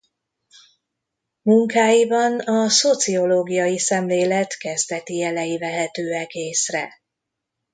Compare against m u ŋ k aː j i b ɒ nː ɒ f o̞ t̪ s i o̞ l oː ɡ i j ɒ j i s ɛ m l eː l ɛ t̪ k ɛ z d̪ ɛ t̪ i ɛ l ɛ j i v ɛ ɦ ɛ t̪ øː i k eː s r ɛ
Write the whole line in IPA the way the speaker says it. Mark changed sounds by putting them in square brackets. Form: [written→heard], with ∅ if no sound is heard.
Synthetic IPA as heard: m u ŋ k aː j i b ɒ [nː→n] ɒ [f→s] o̞ t̪ s i o̞ l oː ɡ i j ɒ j i s ɛ m l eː l ɛ t̪ k ɛ z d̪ ɛ t̪ i ɛ l ɛ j i v ɛ ɦ ɛ t̪ øː [i→ɛ] k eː s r ɛ